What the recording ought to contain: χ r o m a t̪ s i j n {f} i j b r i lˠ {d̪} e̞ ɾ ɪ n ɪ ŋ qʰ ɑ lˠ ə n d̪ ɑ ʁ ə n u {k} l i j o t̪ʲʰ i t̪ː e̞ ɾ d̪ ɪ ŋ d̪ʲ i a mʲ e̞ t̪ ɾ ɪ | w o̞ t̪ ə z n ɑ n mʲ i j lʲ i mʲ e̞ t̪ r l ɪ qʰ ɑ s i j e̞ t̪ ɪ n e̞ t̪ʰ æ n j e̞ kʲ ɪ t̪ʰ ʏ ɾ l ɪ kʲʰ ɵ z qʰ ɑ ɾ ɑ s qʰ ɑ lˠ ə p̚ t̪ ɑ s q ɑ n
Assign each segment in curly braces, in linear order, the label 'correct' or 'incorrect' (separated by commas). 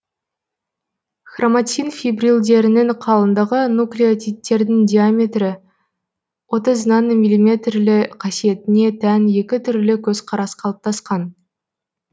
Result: correct, correct, correct